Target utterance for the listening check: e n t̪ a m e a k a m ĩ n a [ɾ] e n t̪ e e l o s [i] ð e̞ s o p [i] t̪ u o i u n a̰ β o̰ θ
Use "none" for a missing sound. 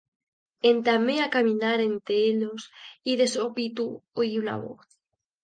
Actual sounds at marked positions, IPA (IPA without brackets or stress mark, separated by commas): ɾ, i, i